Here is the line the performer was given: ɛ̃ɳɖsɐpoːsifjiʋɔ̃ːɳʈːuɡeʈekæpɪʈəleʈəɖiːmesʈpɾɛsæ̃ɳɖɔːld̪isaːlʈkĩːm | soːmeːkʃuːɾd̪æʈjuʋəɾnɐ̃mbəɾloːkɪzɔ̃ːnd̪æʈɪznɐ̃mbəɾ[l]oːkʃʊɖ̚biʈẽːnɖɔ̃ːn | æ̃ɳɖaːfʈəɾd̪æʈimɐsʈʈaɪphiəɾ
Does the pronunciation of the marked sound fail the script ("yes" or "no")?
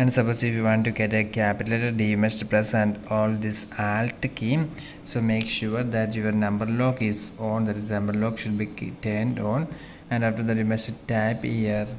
no